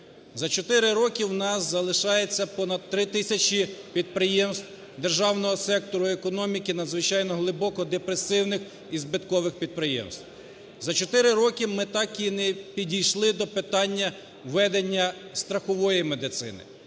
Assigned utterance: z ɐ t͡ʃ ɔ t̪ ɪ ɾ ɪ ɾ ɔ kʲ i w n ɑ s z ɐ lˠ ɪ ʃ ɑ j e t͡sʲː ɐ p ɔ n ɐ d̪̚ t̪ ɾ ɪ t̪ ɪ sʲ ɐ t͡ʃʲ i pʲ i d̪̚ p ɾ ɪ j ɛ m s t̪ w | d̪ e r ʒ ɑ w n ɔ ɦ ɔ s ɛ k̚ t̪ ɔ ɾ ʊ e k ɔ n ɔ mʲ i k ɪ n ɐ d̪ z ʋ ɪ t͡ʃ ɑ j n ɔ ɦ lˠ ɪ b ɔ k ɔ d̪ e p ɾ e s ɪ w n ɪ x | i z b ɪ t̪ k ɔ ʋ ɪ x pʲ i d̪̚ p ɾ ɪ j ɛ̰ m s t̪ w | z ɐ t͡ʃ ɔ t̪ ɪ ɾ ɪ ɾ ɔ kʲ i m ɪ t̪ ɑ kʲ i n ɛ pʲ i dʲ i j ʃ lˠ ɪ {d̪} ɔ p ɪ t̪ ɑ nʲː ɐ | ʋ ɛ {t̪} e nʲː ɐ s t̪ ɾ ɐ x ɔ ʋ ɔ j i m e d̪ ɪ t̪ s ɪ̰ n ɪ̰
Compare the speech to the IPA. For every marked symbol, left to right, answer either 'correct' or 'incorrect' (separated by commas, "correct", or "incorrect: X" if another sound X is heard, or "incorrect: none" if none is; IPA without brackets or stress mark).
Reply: correct, incorrect: d̪